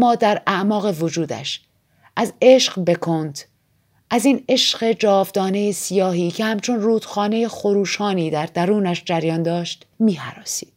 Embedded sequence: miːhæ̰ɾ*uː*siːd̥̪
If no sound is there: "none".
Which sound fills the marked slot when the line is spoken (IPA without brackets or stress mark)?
ɒː